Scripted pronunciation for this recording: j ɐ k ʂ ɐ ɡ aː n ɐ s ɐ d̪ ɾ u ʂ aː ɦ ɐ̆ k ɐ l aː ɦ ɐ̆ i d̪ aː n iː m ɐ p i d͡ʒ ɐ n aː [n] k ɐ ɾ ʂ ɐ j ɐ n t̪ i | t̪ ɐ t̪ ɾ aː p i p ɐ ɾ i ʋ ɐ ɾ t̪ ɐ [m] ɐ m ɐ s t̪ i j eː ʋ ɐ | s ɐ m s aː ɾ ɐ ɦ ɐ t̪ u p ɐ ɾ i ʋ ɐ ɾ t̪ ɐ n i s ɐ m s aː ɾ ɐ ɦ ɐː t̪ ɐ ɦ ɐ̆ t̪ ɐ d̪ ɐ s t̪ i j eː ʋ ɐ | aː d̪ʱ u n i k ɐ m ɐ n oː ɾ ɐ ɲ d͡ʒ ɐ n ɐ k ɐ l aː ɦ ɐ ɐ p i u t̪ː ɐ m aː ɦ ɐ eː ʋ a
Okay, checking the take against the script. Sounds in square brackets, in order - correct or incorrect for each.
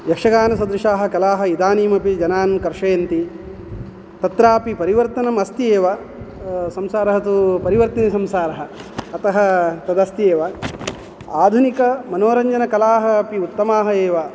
correct, incorrect: n

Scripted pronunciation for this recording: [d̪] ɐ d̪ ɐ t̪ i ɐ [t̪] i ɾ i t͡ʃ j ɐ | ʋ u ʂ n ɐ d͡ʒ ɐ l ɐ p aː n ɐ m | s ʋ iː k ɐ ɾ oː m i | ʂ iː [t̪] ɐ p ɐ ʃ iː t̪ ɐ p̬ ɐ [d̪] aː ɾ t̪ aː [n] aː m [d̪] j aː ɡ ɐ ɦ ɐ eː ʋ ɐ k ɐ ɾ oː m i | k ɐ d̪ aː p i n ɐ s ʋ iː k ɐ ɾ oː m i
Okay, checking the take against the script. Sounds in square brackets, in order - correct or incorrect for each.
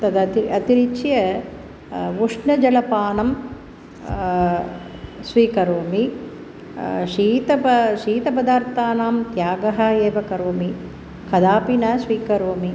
incorrect: t̪, correct, correct, correct, correct, incorrect: t̪

